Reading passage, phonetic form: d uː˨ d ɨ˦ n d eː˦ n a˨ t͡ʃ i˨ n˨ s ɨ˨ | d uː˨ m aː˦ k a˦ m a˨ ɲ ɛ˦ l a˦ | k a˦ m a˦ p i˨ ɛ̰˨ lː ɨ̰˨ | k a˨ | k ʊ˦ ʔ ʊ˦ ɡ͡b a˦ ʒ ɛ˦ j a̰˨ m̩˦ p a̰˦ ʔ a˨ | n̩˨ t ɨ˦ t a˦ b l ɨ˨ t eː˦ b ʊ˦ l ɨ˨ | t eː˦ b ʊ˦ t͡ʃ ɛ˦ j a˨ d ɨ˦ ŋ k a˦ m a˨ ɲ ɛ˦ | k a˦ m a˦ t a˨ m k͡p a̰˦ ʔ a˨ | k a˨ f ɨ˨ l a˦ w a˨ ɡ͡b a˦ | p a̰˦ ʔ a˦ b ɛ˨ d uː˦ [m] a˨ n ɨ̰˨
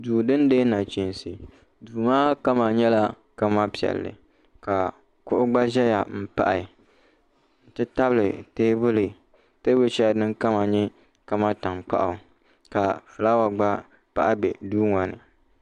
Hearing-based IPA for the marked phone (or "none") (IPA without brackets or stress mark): ŋ